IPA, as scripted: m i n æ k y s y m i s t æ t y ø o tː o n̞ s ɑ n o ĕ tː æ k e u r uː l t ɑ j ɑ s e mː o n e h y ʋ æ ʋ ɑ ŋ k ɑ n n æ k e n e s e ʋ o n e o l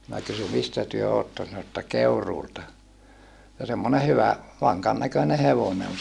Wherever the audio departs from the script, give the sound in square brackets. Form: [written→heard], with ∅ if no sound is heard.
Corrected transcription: m i n æ k y s y m i s t æ t y ø o tː o n̞ s ɑ n o ĕ tː æ k e u r uː l t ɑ j ɑ s e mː o n e h y ʋ æ ʋ ɑ ŋ k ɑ n n æ k [e→ø] n e [s→h] e ʋ o n e o l

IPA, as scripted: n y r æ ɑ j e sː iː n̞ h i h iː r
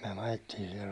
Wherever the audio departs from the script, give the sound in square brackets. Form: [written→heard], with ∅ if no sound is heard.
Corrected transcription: [n→m] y [r→∅] æ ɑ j e [sː→tː] iː n̞ [h→s] i h [iː→i] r

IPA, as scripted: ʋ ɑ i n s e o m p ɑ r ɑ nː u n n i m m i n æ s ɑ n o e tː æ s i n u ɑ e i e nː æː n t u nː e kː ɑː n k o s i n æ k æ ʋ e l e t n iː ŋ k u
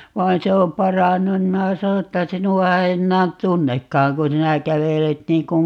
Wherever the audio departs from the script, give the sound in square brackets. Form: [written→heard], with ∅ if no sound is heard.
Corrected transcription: ʋ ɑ i n s e o m p ɑ r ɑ nː u n n i m m i n æ s ɑ n o e tː æ s i n u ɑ e i e nː æː n t u nː e kː ɑː [n→ŋ] k [o→u] s i n æ k æ ʋ e l e t n iː ŋ k u

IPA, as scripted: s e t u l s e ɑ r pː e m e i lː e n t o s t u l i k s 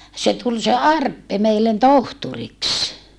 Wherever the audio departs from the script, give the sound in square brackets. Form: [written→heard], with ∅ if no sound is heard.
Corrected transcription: s e t u l s e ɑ r pː e m e i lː e n t o [s→h] t u [l→r] i k s

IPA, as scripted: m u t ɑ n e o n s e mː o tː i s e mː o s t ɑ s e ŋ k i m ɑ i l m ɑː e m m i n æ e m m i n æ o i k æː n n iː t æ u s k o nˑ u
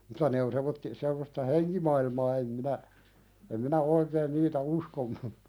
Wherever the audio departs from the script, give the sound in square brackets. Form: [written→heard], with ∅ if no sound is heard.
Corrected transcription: m u t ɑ n e o n s e mː o tː i s e mː o s t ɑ [s→h] e ŋ k i m ɑ i l m ɑː e m m i n æ e m m i n æ o i k [æː→eː] n n iː t æ u s k o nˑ u

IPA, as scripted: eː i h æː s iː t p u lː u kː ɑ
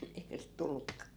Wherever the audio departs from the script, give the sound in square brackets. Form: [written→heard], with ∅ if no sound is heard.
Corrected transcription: [eː→e] i h [æː→æ] s [iː→i] t [p→t] u lː u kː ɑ

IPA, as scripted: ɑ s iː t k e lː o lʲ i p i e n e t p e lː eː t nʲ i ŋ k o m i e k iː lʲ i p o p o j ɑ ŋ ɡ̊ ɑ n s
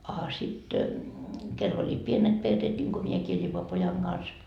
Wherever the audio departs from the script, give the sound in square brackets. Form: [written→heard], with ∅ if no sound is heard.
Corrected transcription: ɑ s [iː→i] t k e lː o lʲ i p i e n e t p e [lː→rː] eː t nʲ i ŋ k o m i e k iː lʲ i p o p o j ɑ ŋ ɡ̊ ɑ n s

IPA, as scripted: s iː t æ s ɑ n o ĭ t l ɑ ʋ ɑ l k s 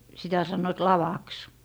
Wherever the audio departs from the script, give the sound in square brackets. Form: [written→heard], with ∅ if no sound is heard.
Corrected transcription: s [iː→i] t æ s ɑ [n→nː] o ĭ t l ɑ ʋ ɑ [l→∅] k s

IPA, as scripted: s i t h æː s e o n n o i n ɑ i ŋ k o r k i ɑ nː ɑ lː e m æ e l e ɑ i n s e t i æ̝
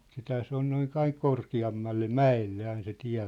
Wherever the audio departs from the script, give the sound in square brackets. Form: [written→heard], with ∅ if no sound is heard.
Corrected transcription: s i t h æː s e o n n o i n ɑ i ŋ k o r k i ɑ [nː→mː] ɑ lː e m æ e [l→lː] e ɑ i n s e t i æ̝

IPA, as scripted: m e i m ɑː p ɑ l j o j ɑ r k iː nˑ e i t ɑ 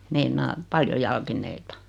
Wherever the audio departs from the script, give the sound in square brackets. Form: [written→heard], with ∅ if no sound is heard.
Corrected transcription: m e i [m→n] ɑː p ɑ l j o j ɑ [r→l] k [iː→i] nˑ e i t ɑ

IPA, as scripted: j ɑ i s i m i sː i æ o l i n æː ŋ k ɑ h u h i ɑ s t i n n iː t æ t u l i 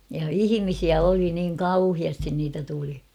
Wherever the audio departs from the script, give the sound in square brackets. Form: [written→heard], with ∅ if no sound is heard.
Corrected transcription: j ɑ i [s→h] i m i [sː→s] i æ o l i n [æː→iː] ŋ k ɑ [h→∅] u h i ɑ s t i n n iː t æ t u l i

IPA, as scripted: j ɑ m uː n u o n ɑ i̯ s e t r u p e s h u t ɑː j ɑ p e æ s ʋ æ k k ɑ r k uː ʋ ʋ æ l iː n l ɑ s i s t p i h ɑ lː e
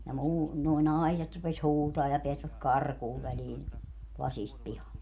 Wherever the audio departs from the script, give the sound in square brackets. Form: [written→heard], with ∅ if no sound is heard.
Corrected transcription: j ɑ m uː n u o n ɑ i̯ s e t r u p e s h [u→uː] t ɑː j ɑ p e æ s ʋ æ k k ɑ r k uː ʋ ʋ æ l iː n l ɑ s i s t p i h ɑ lː e

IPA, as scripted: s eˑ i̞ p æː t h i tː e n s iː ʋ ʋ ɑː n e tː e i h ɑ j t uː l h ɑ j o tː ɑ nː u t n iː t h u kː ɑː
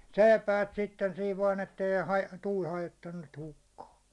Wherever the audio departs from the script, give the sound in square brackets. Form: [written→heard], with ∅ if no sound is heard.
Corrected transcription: s eˑ i̞ p æː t [h→s] i tː e n s iː ʋ ʋ ɑː n e tː e i h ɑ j t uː l h ɑ j o tː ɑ nː u t n iː t h u kː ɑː

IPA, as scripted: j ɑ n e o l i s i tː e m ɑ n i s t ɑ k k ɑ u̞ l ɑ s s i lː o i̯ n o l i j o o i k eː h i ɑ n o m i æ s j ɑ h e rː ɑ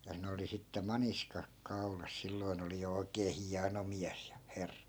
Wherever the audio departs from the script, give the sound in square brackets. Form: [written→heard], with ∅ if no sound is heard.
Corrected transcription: j ɑ n e o l i s i tː e m ɑ n i s [t→k] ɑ k k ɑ u̞ l ɑ s s i lː o i̯ n o l i j o o i k eː h i ɑ n o m i æ s j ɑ h e rː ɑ

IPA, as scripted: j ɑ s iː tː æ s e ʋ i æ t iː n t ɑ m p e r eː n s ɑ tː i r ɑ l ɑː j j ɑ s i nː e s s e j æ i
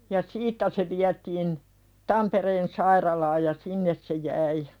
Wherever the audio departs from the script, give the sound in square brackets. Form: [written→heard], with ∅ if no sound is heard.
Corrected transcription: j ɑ s iː tː æ s e ʋ i æ t iː n t ɑ m p e r eː n s ɑ [tː→∅] i r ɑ l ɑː j j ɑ s i nː e s s e j æ i

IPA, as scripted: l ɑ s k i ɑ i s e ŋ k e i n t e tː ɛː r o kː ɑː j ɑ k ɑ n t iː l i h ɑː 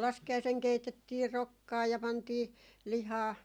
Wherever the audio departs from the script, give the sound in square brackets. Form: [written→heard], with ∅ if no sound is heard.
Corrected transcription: l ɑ s k i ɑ i s e ŋ k e i [n→∅] t e tː [ɛː→iː] r o kː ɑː j ɑ [k→p] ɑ n t iː l i h ɑː

